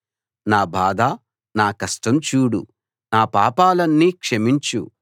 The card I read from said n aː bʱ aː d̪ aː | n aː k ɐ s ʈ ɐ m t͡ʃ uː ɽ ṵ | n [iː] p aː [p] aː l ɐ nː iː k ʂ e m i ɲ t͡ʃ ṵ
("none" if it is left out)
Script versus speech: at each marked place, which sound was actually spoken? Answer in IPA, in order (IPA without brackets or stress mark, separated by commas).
aː, p